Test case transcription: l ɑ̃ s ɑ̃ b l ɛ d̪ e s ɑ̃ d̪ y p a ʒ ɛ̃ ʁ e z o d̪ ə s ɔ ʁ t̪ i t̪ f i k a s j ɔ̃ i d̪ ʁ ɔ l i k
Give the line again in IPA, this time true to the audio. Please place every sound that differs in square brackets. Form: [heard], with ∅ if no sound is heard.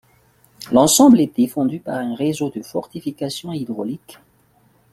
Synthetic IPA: l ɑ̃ s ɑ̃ b l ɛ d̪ e [f] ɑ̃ d̪ y p a [ʁ] ɛ̃ ʁ e z o d̪ ə [f] ɔ ʁ t̪ i [∅] f i k a s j ɔ̃ i d̪ ʁ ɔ l i k